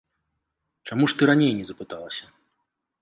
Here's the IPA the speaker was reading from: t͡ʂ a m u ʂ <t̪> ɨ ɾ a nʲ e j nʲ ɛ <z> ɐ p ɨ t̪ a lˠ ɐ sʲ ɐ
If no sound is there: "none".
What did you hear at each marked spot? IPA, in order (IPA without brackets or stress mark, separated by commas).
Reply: t̪, z